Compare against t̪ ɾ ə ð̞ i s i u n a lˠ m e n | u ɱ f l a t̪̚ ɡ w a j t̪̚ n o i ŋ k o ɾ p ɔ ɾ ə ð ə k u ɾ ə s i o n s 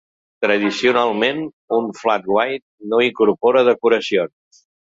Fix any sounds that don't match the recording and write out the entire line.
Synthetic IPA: t̪ ɾ ə ð̞ i s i u n a lˠ m e n | u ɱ f l a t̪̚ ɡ w a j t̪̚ n o i ŋ k u ɾ p ɔ ɾ ə ð ə k u ɾ ə s i o n s